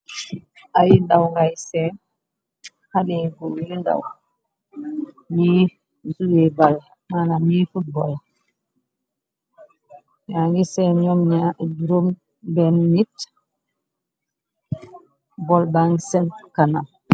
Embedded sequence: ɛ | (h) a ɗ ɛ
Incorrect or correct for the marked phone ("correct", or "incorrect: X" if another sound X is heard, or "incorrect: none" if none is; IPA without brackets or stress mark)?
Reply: correct